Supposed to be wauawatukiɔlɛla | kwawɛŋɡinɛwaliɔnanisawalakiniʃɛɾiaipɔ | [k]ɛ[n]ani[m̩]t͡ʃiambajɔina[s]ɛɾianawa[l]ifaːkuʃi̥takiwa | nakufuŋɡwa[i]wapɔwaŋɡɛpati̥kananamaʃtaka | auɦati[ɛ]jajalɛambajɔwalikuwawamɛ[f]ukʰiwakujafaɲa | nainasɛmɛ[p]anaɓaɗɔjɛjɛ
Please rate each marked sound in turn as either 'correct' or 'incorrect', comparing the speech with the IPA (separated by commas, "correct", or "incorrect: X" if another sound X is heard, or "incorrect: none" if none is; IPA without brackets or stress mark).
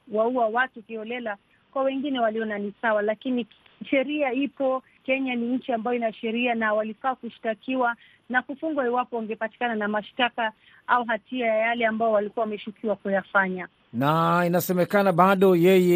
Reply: correct, incorrect: ɲ, incorrect: ɲ̩, incorrect: ʃ, correct, correct, incorrect: a, incorrect: ʃ, incorrect: k